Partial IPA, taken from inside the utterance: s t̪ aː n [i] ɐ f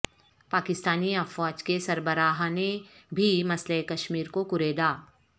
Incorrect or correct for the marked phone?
correct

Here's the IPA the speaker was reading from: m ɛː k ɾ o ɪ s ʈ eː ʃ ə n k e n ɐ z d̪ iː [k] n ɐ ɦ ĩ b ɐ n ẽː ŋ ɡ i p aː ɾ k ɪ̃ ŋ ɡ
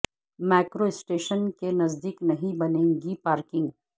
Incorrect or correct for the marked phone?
correct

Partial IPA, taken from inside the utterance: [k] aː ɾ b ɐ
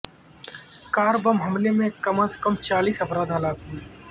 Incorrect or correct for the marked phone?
correct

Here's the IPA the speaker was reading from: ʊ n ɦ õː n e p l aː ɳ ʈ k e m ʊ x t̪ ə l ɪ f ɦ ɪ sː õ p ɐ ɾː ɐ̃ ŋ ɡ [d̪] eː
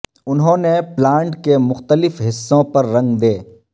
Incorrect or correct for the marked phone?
correct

